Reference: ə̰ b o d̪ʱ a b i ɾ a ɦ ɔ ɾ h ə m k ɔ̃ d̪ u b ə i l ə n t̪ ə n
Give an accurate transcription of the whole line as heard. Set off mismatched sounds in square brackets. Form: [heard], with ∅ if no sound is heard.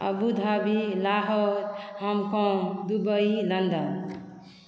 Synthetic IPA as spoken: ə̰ b [u] d̪ʱ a b i [l] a ɦ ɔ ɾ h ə m k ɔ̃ d̪ u b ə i l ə n [d̪] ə n

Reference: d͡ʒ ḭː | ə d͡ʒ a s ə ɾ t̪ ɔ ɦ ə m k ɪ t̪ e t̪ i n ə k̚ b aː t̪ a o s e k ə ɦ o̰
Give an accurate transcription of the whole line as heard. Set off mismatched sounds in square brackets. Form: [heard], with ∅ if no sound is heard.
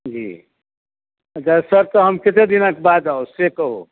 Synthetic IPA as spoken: d͡ʒ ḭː | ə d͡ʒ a s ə ɾ t̪ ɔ ɦ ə m k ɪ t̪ e [d̪] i n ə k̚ b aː [d̪] a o s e k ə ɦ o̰

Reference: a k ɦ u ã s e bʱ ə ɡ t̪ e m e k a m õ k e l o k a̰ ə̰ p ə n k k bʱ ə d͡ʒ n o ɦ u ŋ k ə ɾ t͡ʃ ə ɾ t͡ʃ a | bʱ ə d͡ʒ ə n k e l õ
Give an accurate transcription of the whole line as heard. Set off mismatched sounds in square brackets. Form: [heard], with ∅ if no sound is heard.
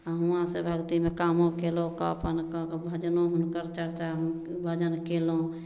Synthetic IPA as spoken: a [∅] ɦ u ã s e bʱ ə ɡ t̪ [i] m e k a m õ k e l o k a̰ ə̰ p ə n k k bʱ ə d͡ʒ n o ɦ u [n] k ə ɾ t͡ʃ ə ɾ t͡ʃ a | bʱ ə d͡ʒ ə n k e l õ

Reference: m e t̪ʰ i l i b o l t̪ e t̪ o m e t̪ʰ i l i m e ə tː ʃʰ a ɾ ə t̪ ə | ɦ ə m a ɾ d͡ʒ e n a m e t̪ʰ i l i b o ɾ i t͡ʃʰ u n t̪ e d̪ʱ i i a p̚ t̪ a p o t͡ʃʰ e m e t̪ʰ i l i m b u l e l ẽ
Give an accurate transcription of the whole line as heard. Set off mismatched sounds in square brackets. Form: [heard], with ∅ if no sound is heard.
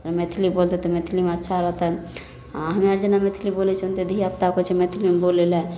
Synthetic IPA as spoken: m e t̪ʰ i l i b o l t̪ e t̪ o m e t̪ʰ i l i m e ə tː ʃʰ a ɾ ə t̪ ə | ɦ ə m a ɾ d͡ʒ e n a m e t̪ʰ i l i b o [l] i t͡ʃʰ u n t̪ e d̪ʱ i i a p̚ t̪ a [k] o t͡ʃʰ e m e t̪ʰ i l i m b [o] l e l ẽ

